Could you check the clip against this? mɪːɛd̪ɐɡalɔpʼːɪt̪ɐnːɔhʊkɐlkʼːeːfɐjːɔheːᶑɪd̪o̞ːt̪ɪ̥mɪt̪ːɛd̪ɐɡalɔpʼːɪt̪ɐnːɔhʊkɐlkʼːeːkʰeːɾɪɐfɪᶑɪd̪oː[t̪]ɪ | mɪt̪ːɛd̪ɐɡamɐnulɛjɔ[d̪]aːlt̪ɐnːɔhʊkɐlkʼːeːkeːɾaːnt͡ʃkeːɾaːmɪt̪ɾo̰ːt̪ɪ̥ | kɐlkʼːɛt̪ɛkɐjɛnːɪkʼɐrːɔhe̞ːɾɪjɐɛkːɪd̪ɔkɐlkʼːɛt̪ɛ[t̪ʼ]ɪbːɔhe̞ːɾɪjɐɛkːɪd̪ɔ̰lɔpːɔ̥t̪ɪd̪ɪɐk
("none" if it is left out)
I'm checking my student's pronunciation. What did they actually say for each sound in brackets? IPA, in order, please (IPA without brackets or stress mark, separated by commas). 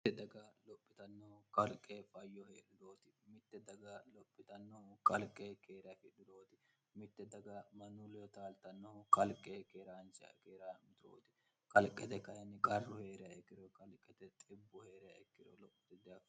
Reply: t̪, t̪, t̪ʼ